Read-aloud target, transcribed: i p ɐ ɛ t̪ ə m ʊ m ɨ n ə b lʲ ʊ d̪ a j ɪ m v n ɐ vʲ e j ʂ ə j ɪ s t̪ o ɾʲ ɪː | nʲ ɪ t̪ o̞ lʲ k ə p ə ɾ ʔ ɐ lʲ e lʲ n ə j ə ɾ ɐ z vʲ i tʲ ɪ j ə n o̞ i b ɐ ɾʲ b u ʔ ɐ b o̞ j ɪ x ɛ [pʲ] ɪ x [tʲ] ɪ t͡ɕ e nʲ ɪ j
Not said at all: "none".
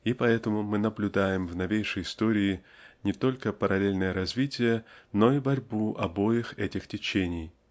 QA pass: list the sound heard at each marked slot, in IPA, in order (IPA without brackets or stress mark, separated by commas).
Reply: tʲ, tʲ